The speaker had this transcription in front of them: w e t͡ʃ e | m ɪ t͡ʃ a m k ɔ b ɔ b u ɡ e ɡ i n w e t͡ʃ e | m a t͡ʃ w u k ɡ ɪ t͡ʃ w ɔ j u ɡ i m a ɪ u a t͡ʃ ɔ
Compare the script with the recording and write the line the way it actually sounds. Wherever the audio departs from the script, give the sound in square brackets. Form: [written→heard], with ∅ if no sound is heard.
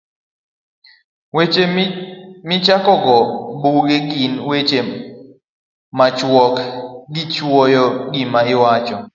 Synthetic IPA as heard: w e t͡ʃ e | m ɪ t͡ʃ a [m→∅] k ɔ [b→ɡ] ɔ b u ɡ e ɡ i n w e t͡ʃ e | m a t͡ʃ w [u→ɔ] k ɡ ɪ t͡ʃ w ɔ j [u→ɔ] ɡ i m a ɪ [u→w] a t͡ʃ ɔ